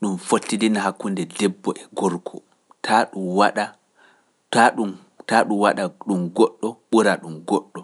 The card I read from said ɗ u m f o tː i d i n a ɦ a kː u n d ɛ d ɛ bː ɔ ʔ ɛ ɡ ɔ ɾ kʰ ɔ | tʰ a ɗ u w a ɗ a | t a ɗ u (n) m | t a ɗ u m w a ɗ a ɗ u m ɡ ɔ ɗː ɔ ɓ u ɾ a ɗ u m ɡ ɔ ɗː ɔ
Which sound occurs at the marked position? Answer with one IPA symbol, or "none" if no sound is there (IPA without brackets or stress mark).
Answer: none